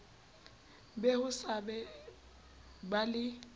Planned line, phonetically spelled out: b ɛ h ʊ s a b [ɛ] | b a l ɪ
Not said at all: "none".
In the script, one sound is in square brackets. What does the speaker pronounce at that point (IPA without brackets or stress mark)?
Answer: ɛ